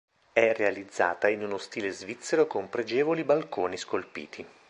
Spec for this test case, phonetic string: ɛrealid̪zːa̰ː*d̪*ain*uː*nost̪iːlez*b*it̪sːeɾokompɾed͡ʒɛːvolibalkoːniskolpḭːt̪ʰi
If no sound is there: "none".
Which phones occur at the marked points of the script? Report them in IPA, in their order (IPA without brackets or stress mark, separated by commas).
t̪, u, v